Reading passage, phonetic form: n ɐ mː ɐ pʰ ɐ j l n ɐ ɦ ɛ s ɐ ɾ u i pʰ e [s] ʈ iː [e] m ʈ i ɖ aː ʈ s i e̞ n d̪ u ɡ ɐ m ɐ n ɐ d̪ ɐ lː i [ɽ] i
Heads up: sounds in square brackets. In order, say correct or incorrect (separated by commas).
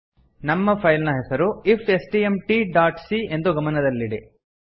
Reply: correct, correct, correct